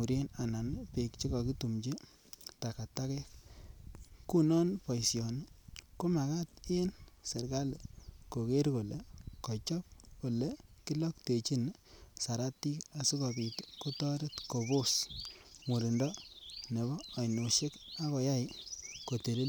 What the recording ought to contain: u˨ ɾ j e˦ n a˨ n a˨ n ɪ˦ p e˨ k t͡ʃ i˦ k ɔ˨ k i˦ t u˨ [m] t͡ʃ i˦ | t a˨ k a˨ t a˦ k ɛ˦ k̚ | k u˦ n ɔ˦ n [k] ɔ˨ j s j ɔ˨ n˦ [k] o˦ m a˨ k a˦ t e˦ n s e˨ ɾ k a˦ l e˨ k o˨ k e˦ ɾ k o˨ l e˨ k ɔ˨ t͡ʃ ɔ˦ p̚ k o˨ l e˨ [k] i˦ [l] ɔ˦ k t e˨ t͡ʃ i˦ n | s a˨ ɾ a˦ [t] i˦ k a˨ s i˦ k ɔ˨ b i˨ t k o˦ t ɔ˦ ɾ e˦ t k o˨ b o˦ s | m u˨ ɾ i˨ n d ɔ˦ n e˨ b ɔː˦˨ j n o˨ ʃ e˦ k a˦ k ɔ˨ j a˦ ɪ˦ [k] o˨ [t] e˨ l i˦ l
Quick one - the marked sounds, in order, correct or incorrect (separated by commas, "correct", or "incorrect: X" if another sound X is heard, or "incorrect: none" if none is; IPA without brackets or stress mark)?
correct, incorrect: p, correct, correct, correct, correct, correct, correct